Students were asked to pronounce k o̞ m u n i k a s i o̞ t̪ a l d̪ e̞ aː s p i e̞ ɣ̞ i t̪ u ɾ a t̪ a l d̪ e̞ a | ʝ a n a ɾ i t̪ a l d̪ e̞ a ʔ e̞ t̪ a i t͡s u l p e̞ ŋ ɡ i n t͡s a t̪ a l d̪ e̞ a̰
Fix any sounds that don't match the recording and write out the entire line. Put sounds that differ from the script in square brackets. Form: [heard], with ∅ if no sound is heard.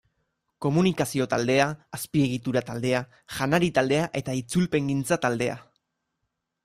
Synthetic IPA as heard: k o̞ m u n i k a s i o̞ t̪ a l d̪ e̞ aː s p i e̞ ɣ̞ i t̪ u ɾ a t̪ a l d̪ e̞ a | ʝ a n a ɾ i t̪ a l d̪ e̞ a ʔ e̞ t̪ a i t͡s u l p e̞ ŋ ɡ i n t͡s a t̪ a l d̪ e̞ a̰